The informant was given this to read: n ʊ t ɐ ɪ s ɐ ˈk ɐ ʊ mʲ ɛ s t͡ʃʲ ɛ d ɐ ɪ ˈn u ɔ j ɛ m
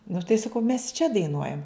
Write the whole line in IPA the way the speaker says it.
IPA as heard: n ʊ t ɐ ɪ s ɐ ˈk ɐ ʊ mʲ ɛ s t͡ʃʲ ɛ d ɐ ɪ ˈn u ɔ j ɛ m